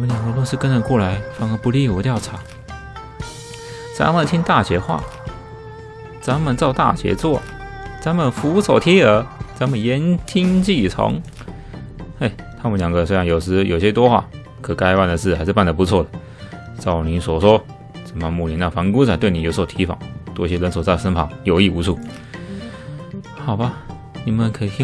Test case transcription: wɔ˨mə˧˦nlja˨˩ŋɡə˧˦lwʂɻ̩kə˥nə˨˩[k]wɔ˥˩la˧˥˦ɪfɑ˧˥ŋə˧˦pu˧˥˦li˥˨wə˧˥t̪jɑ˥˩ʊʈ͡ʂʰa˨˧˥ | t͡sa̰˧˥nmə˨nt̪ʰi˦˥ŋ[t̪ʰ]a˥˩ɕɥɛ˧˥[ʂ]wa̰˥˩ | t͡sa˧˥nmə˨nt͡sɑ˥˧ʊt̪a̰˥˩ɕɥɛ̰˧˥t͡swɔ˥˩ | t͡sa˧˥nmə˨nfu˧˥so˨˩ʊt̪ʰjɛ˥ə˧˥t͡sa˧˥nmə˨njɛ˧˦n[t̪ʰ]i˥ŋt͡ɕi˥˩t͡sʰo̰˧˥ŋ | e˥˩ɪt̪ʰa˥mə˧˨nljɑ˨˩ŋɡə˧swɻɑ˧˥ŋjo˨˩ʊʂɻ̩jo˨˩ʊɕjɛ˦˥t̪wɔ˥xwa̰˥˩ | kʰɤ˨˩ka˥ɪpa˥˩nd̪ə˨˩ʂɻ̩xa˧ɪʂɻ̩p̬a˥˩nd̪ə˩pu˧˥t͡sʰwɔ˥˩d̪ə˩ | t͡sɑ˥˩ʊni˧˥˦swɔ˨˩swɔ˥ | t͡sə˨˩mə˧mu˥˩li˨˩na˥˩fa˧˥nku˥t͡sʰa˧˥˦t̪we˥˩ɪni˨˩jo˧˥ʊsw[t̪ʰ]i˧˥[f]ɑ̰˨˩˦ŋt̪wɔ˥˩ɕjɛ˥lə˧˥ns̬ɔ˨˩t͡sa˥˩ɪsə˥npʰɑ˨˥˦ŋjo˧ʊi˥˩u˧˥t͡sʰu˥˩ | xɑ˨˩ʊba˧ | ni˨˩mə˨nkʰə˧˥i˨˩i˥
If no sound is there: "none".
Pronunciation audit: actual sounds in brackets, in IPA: k, t̪, x, t̪ʰ, t̪ʰ, f

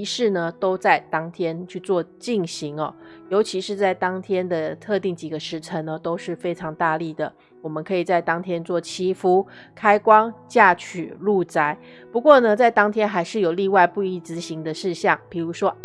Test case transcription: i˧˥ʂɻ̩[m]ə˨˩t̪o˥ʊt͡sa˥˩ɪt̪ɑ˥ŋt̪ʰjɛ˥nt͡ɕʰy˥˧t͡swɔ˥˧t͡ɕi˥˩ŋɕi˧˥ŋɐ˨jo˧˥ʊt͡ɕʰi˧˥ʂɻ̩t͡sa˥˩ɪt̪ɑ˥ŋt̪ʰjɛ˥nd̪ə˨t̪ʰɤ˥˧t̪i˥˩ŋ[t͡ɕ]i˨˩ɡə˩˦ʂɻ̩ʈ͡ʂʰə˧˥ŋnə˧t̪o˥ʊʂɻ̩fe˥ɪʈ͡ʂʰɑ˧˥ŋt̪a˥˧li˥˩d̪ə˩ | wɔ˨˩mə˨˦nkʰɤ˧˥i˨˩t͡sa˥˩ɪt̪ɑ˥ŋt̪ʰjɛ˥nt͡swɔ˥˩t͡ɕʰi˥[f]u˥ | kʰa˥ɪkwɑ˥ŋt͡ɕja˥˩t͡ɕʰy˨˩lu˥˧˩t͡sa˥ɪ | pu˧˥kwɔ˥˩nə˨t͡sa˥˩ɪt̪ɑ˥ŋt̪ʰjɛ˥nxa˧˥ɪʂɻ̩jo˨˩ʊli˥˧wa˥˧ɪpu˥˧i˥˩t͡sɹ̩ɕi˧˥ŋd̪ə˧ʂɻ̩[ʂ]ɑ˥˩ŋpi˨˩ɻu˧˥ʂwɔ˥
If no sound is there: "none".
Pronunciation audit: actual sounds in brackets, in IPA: n, t͡ɕ, f, ɕ

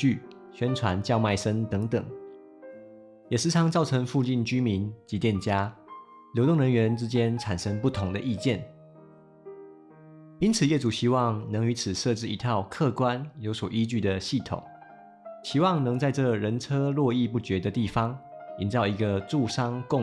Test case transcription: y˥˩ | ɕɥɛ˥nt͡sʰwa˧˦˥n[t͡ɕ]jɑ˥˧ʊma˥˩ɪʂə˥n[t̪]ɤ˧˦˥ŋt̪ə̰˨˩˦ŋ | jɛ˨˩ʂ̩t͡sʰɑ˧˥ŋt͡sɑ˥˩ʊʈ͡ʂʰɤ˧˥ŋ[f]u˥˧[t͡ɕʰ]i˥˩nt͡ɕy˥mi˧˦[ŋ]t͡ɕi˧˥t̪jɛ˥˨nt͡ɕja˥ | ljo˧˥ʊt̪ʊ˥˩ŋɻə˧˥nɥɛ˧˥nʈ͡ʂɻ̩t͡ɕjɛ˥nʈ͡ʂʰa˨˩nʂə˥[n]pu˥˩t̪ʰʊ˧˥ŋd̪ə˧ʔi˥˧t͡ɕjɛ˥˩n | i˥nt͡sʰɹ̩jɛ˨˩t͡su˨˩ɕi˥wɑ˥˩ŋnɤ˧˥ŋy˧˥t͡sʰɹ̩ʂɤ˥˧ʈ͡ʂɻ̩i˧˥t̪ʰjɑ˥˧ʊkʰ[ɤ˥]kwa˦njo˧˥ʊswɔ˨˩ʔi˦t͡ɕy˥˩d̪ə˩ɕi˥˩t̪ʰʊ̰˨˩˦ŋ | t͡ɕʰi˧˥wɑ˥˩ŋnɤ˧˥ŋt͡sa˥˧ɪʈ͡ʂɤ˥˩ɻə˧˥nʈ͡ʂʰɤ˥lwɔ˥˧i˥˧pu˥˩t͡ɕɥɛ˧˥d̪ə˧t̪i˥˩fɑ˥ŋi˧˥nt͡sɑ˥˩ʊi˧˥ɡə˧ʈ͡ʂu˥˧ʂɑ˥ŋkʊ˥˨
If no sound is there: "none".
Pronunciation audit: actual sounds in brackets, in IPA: t͡ɕ, t̪, f, t͡ɕ, n, ŋ, ɤ˥˨

